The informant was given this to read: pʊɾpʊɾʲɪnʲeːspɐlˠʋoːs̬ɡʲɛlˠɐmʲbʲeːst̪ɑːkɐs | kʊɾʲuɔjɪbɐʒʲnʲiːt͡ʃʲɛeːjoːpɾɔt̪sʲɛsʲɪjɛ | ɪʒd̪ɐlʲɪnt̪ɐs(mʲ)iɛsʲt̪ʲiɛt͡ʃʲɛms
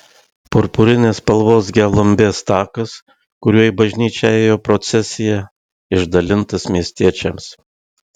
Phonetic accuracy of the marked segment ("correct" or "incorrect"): correct